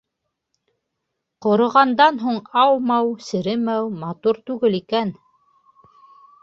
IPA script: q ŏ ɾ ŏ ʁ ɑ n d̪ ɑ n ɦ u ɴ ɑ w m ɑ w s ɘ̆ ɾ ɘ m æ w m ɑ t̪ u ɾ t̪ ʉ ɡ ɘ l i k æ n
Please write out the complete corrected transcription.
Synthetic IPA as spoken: q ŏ ɾ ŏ ʁ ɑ n d̪ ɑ n ɦ u ɴ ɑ w m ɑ w s ɘ̆ ɾ ɘ m æ w m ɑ t̪ u ɾ t̪ ʉ ɡ ɘ l i k æ n